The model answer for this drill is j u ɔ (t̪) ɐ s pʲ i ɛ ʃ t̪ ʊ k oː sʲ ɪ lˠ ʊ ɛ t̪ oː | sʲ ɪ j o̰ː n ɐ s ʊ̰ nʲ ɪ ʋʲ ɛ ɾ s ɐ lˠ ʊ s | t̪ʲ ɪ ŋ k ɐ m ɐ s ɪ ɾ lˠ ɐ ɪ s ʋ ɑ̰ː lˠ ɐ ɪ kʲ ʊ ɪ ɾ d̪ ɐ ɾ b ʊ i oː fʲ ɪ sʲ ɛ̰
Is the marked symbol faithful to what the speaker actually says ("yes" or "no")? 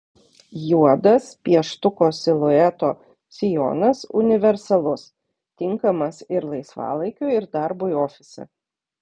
no